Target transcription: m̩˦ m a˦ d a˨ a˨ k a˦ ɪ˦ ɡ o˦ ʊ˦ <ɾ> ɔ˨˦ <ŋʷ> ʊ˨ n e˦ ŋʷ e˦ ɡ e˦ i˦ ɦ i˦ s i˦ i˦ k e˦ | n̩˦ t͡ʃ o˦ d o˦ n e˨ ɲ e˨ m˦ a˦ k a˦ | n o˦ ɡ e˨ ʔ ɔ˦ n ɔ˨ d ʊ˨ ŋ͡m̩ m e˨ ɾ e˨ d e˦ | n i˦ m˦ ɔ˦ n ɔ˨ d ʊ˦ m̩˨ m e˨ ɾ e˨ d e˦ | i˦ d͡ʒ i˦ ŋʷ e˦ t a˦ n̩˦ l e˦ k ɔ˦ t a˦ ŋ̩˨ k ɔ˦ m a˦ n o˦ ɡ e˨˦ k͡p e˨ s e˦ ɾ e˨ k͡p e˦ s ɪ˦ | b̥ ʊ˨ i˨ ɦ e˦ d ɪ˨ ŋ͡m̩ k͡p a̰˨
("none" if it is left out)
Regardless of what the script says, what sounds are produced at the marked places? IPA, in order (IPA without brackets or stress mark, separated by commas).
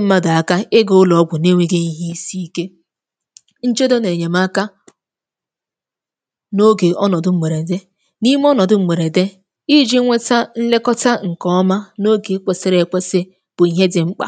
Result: l, ɡʷ